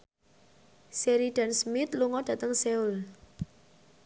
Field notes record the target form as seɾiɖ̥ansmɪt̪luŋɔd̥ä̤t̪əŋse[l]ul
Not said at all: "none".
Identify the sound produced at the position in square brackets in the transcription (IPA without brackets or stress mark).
none